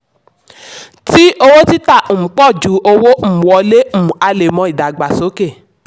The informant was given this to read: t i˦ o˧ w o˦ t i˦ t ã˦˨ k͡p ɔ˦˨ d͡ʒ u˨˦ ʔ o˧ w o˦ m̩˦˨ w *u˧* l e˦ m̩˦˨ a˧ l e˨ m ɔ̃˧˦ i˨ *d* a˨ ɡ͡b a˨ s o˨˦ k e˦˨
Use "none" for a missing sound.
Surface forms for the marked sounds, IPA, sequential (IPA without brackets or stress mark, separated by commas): ɔ˧, d